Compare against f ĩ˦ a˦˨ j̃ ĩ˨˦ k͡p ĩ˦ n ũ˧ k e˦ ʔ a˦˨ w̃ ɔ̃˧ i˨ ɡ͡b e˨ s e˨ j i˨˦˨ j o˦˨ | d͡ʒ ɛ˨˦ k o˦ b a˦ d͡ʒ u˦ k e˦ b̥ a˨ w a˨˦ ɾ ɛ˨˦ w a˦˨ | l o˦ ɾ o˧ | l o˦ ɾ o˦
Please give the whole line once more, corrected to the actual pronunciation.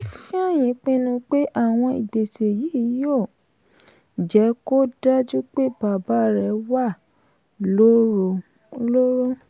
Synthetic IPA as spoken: f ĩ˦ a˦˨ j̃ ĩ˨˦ k͡p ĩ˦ n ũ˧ k͡p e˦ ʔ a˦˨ w̃ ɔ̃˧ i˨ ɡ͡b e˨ s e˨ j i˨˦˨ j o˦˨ | d͡ʒ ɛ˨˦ k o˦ d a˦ d͡ʒ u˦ k͡p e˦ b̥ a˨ b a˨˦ ɾ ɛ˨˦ w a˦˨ | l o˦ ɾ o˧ | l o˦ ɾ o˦

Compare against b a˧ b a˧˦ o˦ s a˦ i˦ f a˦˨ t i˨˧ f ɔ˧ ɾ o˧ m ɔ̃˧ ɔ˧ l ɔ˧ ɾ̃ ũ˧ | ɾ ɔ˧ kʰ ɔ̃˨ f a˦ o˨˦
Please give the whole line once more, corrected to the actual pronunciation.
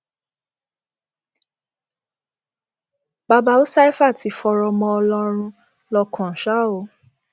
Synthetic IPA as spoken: b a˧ b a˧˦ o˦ s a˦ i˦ f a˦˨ t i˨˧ f ɔ˧ ɾ ɔ˧ m ɔ̃˧ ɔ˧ l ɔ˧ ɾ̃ ũ˧ | l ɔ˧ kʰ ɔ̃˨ ʃ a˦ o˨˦

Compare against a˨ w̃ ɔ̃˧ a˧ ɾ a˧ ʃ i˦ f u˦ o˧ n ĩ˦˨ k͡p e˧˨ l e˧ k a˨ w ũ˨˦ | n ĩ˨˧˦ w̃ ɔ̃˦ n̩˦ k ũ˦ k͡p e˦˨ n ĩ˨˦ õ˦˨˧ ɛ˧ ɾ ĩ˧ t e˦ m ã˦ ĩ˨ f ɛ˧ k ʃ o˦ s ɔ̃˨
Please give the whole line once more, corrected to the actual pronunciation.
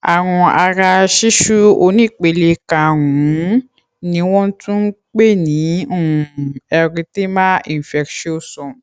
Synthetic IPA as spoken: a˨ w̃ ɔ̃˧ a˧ ɾ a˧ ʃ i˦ ʃ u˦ o˧ n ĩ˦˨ k͡p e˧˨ l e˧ k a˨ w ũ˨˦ | n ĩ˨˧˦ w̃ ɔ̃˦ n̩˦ t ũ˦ k͡p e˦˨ n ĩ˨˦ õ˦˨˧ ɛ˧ ɾ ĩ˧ t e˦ m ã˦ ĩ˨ f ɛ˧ k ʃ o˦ s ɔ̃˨

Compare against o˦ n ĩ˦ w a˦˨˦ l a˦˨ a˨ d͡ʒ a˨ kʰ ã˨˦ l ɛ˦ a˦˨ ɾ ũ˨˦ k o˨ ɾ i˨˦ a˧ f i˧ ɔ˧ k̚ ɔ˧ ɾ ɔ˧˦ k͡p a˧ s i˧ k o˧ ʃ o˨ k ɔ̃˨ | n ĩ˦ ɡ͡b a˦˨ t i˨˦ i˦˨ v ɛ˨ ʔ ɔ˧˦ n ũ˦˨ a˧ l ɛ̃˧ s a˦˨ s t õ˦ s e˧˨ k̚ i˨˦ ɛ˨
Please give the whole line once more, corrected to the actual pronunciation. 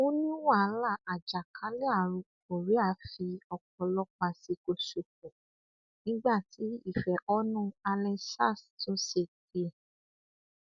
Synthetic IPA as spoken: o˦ n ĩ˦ w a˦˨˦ l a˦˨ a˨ d͡ʒ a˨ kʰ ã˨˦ l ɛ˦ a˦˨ ɾ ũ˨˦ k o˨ ɾ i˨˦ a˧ f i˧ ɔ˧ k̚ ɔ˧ l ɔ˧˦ k͡p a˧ s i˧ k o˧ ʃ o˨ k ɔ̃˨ | n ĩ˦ ɡ͡b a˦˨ t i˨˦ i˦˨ f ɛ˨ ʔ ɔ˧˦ n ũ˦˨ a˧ l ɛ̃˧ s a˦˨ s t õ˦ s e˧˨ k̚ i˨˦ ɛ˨

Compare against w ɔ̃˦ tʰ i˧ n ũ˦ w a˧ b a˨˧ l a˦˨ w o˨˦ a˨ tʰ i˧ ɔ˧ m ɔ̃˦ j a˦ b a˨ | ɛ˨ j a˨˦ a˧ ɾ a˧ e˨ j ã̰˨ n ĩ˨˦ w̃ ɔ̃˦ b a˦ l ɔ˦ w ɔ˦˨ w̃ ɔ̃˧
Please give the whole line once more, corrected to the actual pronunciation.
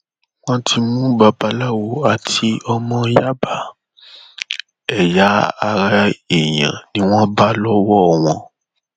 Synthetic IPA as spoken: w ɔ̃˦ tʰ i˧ m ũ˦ b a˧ b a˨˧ l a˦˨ w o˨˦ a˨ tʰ i˧ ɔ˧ m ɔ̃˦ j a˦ b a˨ | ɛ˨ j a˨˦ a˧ ɾ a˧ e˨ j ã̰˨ n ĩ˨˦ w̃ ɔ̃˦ b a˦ l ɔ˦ w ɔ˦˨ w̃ ɔ̃˧

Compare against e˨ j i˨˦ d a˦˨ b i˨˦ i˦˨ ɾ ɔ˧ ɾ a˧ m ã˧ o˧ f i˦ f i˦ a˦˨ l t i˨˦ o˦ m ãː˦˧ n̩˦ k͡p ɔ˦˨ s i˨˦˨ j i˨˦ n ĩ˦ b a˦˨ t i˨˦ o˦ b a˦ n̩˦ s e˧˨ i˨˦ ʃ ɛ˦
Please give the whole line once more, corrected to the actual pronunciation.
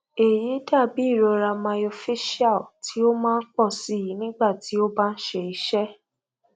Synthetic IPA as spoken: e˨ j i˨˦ d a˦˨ b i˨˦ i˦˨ ɾ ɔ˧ ɾ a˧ m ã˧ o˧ f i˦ ʃ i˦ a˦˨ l t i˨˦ o˦ m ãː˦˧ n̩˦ k͡p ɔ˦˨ s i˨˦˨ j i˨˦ n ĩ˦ ɡ͡b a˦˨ t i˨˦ o˦ b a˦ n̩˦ ʃ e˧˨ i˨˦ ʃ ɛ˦

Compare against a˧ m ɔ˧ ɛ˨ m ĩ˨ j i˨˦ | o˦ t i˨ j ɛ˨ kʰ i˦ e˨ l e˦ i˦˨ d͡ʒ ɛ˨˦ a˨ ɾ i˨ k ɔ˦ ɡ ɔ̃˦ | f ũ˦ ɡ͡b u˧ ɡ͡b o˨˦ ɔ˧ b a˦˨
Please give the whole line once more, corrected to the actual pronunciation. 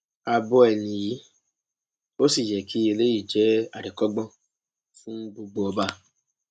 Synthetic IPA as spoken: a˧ b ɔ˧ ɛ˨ n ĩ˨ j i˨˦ | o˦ s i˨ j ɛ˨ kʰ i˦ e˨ l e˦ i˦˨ d͡ʒ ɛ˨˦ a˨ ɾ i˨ k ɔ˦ ɡ͡b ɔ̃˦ | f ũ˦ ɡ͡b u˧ ɡ͡b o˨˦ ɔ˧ b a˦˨

